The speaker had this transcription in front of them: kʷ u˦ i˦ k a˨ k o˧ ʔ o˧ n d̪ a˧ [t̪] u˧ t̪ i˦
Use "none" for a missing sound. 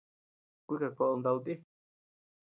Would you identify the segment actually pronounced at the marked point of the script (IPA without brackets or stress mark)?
none